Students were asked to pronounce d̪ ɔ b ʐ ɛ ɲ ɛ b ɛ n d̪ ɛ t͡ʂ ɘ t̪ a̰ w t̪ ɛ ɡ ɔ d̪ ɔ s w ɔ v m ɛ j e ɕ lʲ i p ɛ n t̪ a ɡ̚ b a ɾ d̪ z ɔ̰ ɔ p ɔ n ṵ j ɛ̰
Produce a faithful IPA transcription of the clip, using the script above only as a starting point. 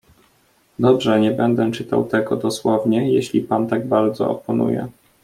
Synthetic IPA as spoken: d̪ ɔ b ʐ ɛ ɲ ɛ b ɛ n d̪ ɛ t͡ʂ ɘ t̪ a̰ w t̪ ɛ ɡ ɔ d̪ ɔ s w ɔ v ɲ ɛ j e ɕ lʲ i p a n t̪ a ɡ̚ b a ɾ d̪ z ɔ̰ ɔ p ɔ n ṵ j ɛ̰